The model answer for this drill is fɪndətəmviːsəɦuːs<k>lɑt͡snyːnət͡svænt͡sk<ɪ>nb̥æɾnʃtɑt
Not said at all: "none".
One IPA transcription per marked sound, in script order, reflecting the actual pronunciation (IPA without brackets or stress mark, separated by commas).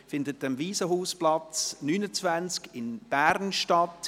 p, ɪ